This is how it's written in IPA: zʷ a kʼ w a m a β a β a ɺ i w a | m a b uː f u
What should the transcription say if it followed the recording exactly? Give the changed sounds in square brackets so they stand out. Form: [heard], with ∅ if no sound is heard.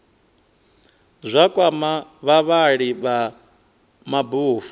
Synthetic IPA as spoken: zʷ a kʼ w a m a β a β a ɺ i [β] a | m a b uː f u